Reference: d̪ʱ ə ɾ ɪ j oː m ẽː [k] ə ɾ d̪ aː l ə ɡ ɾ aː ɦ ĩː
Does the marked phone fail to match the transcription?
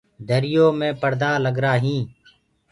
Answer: yes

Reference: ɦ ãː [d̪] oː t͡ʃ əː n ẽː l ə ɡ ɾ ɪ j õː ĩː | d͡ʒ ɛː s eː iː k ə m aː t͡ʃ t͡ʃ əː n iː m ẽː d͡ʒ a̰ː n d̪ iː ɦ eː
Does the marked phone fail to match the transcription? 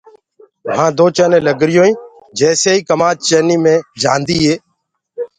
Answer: no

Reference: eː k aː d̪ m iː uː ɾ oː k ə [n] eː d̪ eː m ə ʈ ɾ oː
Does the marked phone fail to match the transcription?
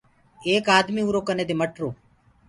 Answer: no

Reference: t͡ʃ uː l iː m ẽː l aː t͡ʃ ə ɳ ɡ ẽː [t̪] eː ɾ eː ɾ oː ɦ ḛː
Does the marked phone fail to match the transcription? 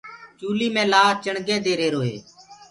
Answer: yes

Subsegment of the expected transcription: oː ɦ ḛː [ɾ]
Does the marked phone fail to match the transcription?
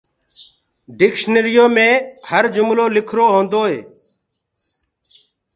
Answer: yes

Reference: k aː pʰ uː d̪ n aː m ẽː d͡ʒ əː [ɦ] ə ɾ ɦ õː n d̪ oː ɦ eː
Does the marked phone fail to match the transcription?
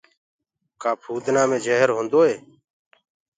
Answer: no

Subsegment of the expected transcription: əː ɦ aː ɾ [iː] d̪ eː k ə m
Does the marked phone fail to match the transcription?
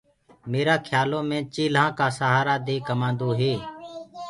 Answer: yes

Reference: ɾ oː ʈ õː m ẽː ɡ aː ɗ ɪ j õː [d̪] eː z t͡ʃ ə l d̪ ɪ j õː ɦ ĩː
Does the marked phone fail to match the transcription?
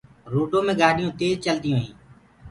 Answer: yes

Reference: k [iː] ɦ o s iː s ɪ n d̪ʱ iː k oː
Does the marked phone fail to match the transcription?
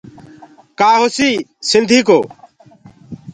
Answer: yes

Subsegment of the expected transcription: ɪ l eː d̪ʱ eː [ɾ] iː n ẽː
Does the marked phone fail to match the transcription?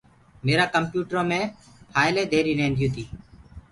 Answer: no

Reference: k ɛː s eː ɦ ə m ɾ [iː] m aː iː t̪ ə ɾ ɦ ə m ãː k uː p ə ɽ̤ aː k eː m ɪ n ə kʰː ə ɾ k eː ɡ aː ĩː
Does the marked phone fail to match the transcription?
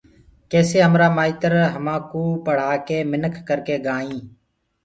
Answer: yes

